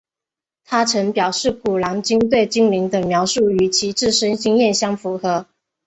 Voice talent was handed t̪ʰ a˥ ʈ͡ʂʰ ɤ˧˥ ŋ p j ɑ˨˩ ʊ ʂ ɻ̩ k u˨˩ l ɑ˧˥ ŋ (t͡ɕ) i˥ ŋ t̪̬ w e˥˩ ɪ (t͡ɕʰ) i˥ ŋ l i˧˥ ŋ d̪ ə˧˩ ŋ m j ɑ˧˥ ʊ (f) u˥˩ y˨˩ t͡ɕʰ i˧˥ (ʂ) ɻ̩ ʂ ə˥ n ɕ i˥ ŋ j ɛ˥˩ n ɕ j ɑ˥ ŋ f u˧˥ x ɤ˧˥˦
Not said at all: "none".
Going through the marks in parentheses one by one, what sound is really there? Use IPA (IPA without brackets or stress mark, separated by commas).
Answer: t͡ɕ, t͡ɕ, ʂ, ʈ͡ʂ